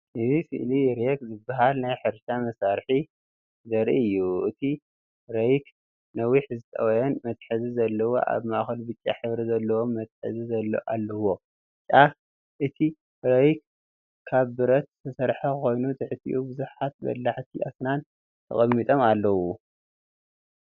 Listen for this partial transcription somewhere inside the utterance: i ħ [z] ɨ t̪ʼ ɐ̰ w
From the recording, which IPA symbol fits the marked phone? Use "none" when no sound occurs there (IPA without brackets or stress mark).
z